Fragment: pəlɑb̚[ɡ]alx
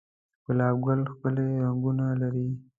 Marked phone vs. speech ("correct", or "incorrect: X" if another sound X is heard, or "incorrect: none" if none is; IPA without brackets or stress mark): correct